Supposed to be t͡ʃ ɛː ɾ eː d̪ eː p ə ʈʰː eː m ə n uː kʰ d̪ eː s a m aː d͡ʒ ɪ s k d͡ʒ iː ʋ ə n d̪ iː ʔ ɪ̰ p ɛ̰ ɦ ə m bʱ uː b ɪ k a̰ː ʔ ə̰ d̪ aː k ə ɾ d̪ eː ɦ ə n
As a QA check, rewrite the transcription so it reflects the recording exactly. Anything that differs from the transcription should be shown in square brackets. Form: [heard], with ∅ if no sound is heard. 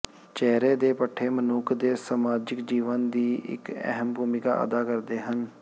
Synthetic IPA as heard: t͡ʃ ɛː ɾ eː d̪ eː p ə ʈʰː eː m ə n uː kʰ d̪ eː s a m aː d͡ʒ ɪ [∅] k d͡ʒ iː ʋ ə n d̪ iː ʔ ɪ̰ [k] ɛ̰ ɦ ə m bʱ uː [m] ɪ k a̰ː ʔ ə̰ d̪ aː k ə ɾ d̪ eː ɦ ə n